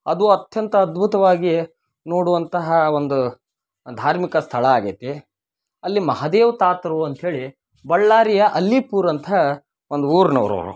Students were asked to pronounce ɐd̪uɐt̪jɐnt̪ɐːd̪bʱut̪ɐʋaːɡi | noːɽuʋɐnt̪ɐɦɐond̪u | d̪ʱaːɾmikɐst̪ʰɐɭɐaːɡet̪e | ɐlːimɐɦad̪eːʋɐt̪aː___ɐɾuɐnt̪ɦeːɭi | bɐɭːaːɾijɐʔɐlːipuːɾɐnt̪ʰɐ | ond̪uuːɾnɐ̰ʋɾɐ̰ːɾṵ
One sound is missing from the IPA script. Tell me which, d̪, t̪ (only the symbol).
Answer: t̪